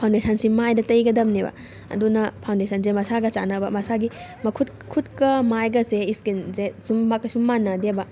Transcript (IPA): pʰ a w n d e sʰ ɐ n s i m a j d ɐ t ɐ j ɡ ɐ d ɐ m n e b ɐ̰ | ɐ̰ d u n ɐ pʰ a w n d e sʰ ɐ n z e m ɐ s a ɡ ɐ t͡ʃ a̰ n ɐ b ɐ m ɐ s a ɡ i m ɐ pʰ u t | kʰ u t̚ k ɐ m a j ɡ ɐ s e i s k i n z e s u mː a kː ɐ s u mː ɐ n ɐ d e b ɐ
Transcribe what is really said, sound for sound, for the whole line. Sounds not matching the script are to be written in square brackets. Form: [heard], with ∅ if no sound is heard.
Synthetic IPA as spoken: pʰ a w n d e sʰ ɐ n s i m a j d ɐ t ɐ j ɡ ɐ d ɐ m n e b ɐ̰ | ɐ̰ d u n ɐ pʰ a w n d e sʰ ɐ n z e m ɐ s a ɡ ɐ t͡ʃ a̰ n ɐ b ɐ m ɐ s a ɡ i m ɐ [kʰ] u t | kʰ u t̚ k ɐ m a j ɡ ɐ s e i s k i n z e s u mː a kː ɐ s u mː [a] n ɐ d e b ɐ